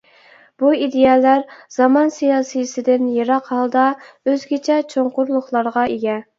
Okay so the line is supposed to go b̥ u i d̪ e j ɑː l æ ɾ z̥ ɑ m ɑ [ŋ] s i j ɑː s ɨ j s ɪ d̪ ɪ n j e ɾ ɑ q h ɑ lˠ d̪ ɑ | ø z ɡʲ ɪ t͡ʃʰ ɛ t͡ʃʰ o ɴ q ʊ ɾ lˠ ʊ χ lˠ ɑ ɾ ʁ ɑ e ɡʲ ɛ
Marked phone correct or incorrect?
incorrect